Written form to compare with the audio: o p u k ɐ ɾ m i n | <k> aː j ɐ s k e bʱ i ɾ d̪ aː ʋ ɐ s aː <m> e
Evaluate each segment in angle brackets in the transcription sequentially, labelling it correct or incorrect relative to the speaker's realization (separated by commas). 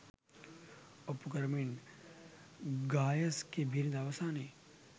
incorrect, incorrect